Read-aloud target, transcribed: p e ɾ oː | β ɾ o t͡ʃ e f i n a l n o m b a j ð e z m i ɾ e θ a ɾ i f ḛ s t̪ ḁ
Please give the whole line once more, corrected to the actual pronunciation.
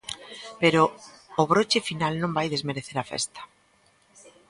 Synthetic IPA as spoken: p e ɾ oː | β ɾ o t͡ʃ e f i n a l n õ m b a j ð e z m e ɾ e θ e ɾ a f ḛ s t̪ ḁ